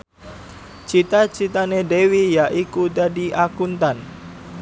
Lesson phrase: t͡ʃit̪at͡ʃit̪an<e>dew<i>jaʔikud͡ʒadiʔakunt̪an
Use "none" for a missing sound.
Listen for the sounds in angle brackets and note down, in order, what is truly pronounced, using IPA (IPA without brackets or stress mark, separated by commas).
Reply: e, i